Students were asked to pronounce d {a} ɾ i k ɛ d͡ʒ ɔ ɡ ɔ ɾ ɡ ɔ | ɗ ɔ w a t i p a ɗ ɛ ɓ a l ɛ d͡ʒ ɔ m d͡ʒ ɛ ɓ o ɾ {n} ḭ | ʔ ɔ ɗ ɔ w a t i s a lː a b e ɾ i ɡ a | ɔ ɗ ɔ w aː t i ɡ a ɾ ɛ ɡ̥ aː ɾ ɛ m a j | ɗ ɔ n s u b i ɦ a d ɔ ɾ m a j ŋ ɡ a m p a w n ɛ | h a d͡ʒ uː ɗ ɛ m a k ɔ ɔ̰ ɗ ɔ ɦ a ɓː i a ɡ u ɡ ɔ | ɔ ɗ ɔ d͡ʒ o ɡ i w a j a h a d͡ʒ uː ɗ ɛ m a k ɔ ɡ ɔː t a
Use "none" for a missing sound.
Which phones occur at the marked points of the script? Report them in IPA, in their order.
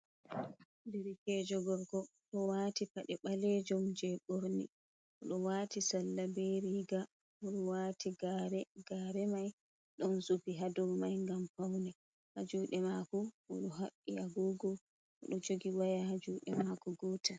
i, n

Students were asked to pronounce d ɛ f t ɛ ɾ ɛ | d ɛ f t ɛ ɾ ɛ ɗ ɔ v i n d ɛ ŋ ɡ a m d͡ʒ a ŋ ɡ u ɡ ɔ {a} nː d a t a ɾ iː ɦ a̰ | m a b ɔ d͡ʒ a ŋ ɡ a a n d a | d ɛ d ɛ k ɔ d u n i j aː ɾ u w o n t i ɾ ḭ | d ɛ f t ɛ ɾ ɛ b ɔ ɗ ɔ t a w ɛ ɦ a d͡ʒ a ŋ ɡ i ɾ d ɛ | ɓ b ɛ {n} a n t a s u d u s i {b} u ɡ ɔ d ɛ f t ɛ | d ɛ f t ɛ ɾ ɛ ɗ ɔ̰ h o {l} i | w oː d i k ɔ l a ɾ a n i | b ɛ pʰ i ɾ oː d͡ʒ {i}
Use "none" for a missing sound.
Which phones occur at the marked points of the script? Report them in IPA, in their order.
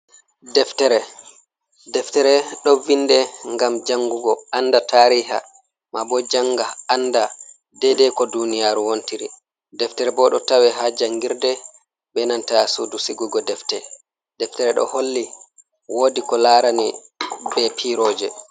a, n, ɡ, lː, ɛ

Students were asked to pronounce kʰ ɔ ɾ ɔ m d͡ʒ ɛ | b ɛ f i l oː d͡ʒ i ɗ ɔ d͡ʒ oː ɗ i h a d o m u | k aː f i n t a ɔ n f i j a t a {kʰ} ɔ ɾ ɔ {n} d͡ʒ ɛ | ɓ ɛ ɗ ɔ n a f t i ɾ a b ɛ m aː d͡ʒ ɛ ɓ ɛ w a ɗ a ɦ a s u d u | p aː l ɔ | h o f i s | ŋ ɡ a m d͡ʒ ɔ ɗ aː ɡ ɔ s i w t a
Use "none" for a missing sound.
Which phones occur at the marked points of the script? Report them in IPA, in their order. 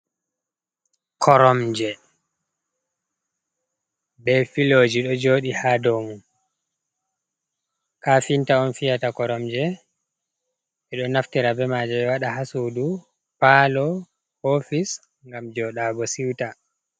k, m

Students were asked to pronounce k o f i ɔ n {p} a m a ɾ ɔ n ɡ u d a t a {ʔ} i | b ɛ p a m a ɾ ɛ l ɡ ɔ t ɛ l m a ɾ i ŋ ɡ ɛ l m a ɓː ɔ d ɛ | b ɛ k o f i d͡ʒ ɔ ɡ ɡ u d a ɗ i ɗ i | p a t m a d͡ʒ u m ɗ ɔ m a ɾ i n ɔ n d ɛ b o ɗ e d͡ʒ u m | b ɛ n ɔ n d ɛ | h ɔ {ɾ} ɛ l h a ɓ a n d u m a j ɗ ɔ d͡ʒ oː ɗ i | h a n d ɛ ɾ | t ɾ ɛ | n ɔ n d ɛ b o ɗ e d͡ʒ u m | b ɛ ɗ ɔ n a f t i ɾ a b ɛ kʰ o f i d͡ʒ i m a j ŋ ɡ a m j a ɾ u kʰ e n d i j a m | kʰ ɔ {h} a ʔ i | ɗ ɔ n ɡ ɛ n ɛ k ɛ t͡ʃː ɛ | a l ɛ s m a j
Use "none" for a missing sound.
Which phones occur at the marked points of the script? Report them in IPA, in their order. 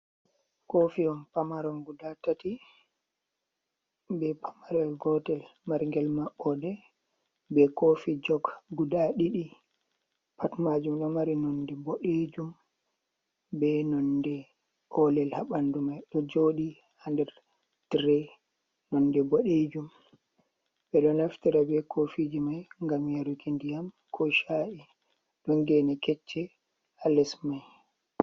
p, t, l, ʃ

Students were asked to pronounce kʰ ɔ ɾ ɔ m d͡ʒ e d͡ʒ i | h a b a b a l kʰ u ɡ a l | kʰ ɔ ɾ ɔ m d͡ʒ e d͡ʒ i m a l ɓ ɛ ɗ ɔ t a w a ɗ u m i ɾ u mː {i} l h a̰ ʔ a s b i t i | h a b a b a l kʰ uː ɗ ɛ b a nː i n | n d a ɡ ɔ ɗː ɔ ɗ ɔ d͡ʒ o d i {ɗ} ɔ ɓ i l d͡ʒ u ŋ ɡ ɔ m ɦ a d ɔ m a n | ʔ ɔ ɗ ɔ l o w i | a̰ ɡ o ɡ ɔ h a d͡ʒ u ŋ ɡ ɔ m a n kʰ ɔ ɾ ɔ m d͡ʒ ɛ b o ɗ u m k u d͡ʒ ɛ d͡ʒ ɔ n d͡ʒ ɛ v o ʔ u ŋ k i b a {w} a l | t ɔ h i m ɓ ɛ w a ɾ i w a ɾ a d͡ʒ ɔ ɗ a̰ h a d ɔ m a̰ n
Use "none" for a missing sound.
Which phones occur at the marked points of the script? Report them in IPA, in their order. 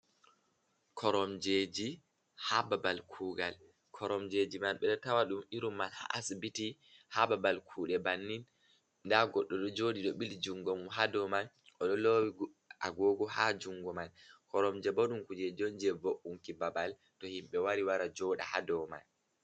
a, ɗ, b

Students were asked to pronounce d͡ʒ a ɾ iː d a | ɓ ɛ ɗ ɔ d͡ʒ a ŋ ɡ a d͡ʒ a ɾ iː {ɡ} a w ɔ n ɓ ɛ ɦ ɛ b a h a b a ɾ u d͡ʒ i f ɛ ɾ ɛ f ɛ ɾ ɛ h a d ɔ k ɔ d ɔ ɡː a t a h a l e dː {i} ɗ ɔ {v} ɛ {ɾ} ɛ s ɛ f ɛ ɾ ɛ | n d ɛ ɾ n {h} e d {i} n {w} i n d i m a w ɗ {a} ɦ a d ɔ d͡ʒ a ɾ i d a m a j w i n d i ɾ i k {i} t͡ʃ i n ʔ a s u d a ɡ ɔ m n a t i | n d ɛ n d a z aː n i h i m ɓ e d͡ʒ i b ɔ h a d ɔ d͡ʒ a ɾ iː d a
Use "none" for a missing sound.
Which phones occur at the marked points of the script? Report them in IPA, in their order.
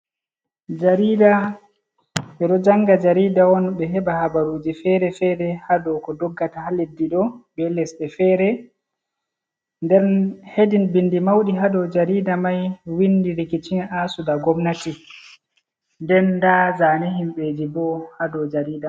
d, i, b, l, h, i, b, i, i

